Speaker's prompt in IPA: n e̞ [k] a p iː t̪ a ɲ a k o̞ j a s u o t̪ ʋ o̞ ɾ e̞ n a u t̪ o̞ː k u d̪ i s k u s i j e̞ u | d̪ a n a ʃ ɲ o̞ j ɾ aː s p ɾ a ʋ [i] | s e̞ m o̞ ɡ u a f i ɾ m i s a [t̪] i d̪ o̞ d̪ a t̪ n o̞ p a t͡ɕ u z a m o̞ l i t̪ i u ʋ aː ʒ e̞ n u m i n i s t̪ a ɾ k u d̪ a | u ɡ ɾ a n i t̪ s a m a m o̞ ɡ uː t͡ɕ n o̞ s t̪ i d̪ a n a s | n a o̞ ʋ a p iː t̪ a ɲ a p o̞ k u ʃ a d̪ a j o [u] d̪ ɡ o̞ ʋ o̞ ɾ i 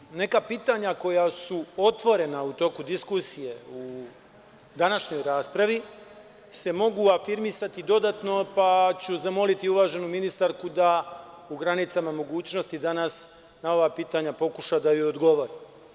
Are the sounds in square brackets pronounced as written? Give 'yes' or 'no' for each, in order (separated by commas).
yes, yes, yes, no